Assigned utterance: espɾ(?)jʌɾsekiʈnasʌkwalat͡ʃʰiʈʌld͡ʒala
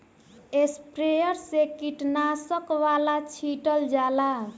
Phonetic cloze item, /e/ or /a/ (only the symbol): e